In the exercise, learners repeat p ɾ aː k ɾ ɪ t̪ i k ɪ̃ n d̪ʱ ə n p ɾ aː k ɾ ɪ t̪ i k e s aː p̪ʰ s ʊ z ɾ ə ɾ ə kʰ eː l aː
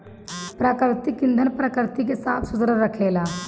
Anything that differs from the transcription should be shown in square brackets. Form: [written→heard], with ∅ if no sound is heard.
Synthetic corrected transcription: p ɾ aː k ɾ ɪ t̪ i k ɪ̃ n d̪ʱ ə n p ɾ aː k ɾ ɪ t̪ i k e s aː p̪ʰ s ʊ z ɾ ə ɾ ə kʰ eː l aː